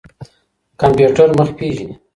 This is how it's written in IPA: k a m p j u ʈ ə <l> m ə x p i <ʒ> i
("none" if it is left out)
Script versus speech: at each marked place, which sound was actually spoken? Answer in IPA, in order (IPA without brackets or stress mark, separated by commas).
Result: ɾ, ʒ